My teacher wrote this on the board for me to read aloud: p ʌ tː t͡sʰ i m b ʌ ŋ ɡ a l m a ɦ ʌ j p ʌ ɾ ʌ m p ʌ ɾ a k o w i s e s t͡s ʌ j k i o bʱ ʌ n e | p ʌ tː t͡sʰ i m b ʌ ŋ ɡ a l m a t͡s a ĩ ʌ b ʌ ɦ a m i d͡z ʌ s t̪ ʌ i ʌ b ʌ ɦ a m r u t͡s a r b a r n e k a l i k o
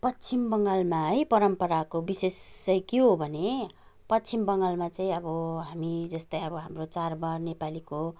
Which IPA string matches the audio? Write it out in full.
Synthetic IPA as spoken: p ʌ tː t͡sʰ i m b ʌ ŋ ɡ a l m a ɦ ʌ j p ʌ ɾ ʌ m p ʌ ɾ a k o b i s e s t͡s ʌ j k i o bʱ ʌ n e | p ʌ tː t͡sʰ i m b ʌ ŋ ɡ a l m a t͡s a ĩ ʌ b ʌ ɦ a m i d͡z ʌ s t̪ ʌ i ʌ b ʌ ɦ a m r o t͡s a r b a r n e p a l i k o